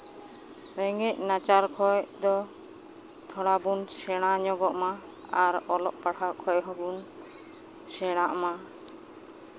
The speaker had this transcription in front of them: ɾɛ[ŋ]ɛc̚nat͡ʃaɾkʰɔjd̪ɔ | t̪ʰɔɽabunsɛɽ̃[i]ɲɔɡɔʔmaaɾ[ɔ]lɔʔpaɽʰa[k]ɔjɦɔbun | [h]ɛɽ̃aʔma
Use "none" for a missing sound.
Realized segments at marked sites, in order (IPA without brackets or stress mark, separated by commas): ŋ, a, ɔ, kʰ, s